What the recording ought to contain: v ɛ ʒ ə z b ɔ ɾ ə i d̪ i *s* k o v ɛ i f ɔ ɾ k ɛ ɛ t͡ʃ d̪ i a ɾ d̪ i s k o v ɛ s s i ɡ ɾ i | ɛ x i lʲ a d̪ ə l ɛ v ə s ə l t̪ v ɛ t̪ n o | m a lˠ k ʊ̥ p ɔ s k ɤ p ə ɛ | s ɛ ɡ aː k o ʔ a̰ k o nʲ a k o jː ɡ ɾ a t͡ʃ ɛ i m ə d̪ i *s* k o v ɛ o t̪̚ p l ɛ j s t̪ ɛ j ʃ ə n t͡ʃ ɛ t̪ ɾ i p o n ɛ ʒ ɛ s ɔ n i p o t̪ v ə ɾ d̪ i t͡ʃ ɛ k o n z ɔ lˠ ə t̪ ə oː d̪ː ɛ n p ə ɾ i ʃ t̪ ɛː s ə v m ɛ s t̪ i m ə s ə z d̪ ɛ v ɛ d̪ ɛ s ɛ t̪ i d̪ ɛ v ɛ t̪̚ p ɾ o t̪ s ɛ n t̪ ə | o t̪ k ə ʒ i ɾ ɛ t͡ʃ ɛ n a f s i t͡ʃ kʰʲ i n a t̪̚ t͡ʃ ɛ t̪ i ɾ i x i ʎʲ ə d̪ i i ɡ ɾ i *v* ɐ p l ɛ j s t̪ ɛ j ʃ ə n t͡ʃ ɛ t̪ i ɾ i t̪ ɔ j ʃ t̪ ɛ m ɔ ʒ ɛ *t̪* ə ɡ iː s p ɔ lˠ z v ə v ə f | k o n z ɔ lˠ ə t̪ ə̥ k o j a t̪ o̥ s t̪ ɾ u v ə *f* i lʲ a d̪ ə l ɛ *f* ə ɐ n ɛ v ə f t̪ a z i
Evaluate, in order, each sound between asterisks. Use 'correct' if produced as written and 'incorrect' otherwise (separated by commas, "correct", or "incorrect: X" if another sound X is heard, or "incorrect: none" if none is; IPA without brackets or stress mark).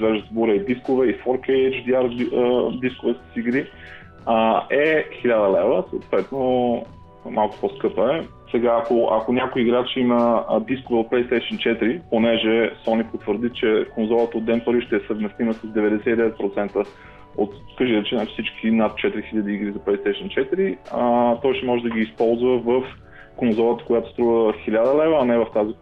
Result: correct, correct, incorrect: z, incorrect: d̪, incorrect: x, incorrect: v